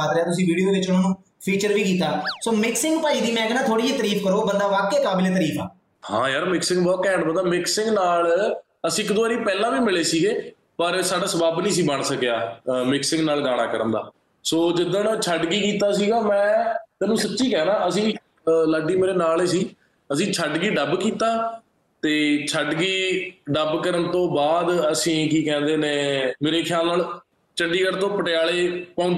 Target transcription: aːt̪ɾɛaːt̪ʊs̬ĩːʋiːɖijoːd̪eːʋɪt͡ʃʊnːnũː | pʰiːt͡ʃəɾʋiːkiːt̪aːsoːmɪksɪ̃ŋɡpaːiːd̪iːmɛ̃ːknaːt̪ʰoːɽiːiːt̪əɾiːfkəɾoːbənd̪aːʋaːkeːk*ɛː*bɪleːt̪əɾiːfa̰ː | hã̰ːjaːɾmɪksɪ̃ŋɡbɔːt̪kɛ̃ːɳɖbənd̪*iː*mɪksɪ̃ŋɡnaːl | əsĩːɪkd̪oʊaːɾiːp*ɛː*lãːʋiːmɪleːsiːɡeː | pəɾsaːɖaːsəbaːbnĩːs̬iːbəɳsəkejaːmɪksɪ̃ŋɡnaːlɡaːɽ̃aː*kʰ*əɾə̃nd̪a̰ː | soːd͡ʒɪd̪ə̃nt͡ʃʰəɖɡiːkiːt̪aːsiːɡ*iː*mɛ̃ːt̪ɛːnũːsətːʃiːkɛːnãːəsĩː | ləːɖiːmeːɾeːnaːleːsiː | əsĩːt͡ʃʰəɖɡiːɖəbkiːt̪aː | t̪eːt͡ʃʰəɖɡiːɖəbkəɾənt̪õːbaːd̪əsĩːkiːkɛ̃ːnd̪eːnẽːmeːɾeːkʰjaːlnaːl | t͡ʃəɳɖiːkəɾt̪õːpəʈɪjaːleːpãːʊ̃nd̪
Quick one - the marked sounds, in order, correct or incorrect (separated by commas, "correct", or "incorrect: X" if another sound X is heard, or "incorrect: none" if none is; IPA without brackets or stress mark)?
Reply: incorrect: aː, incorrect: aː, correct, incorrect: k, incorrect: aː